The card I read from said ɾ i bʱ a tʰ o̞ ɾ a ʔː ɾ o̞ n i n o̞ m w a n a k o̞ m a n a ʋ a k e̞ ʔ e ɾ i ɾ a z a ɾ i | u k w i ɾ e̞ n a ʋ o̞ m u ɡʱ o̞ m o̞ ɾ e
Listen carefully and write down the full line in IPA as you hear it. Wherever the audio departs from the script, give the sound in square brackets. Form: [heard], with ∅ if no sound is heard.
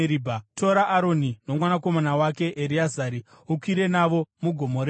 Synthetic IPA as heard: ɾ i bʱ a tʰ o̞ ɾ a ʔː ɾ o̞ n i n o̞ m w a n a k o̞ m a n a [w] a k e̞ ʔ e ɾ i [∅] a z a ɾ i | u k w i ɾ e̞ n a ʋ o̞ m u ɡʱ o̞ m o̞ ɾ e